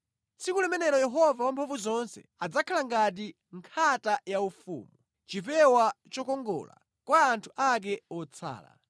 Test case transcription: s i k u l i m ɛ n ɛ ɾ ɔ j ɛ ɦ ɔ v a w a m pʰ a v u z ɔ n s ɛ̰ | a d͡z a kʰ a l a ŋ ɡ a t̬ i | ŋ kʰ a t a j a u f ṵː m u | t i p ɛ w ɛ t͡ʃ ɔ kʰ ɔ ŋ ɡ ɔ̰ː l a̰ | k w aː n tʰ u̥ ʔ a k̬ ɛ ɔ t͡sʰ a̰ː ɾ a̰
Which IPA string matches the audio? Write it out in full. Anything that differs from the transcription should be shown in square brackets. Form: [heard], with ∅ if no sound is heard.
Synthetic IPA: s i k u l [ɛ] m ɛ n ɛ ɾ ɔ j ɛ ɦ ɔ v a w a m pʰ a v u z ɔ n s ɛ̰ | a d͡z a kʰ a l a ŋ ɡ a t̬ i | ŋ kʰ a t a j a u f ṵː m u | [t͡ʃ] i p ɛ w [a] t͡ʃ ɔ [k] ɔ ŋ ɡ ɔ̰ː l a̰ | k w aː n tʰ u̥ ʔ a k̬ ɛ ɔ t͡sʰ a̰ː [l] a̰